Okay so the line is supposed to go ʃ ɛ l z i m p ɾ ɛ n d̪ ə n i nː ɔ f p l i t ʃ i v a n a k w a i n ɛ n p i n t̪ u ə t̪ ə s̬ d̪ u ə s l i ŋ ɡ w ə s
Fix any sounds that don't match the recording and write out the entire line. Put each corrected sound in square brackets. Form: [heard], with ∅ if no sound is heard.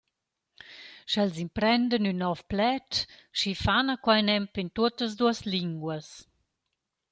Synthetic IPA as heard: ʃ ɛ l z i m p ɾ ɛ n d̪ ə n [y] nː ɔ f p l [ɛ] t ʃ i [f] a n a k w a [j] n ɛ [m] p i n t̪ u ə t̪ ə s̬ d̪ u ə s l i ŋ ɡ w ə s